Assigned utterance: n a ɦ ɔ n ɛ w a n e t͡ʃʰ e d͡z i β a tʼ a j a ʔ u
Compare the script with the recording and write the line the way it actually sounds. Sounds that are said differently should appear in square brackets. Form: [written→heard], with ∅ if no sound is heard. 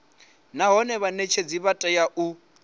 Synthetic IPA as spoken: n a ɦ ɔ n ɛ [w→β] a n e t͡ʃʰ e d͡z i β a tʼ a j a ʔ u